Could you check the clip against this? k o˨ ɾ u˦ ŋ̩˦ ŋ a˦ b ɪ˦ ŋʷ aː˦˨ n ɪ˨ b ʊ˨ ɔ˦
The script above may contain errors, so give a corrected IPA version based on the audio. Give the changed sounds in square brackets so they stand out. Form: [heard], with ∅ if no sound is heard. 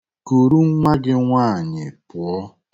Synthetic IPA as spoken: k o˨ ɾ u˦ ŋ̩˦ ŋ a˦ [ɡ] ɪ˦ ŋʷ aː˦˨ [ɲ] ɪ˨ [p] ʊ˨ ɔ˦